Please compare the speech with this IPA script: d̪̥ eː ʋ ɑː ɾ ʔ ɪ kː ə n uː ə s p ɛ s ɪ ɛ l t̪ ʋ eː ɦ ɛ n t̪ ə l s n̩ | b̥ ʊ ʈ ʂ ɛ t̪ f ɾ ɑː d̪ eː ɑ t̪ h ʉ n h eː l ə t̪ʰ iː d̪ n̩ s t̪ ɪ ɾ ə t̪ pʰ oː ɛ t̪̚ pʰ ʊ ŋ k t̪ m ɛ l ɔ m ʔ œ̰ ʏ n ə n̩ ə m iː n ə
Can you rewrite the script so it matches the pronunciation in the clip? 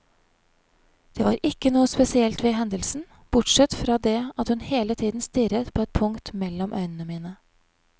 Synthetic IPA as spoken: d̪̥ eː ʋ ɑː ɾ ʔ ɪ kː ə n uː ə s p ɛ s ɪ ɛ l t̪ ʋ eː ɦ ɛ n d̪ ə l s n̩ | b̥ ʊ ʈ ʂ ɛ t̪ f ɾ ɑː d̪ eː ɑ t̪ h ʉ n h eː l ə t̪ʰ iː d̪ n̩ s t̪ ɪ ɾ ə t̪ pʰ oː ɛ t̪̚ pʰ ʊ ŋ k t̪ m ɛ l ɔ m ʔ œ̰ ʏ n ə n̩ ə m iː n ə